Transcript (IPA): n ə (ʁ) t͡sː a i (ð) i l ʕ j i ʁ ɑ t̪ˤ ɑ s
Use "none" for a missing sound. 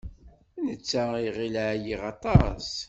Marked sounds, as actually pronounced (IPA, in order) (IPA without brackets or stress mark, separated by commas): none, ʁ